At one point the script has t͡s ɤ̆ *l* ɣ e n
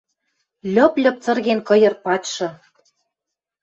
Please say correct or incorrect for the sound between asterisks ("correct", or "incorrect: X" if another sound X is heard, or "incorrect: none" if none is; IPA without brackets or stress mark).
incorrect: r